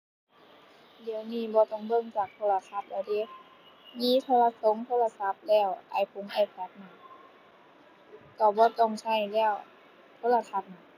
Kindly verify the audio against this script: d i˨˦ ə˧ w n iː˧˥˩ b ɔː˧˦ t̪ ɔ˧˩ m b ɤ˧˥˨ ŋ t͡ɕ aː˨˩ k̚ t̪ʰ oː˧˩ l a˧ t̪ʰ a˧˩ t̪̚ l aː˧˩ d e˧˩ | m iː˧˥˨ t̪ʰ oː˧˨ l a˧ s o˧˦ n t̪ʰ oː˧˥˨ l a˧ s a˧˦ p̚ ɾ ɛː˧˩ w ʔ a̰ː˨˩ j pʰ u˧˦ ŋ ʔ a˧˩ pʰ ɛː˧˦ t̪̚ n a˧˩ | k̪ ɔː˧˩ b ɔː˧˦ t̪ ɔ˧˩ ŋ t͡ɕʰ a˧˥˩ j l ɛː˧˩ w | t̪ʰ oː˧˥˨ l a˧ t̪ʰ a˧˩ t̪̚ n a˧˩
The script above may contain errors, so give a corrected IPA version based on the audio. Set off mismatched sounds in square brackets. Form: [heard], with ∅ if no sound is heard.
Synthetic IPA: d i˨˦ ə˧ w n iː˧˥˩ b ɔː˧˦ t̪ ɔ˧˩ [ŋ] b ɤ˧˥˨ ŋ t͡ɕ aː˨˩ k̚ t̪ʰ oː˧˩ l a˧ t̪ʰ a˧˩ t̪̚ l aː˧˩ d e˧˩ | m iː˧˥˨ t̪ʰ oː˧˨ l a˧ s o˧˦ [ŋ] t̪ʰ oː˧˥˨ l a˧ s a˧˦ p̚ [l] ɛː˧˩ w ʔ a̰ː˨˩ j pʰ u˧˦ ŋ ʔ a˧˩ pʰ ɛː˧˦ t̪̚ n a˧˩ | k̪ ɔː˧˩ b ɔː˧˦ t̪ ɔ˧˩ ŋ t͡ɕʰ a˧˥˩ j l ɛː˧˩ w | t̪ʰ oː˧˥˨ l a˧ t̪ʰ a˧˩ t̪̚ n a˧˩